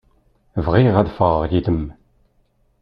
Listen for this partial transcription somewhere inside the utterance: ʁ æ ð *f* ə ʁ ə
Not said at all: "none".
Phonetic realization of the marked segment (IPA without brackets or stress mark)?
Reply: f